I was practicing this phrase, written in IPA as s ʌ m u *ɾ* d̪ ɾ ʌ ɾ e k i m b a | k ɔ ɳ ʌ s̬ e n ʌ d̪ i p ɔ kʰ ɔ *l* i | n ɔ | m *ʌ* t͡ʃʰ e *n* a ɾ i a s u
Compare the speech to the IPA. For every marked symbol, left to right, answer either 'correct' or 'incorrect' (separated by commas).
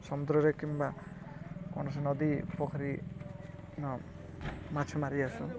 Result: incorrect, incorrect, incorrect, incorrect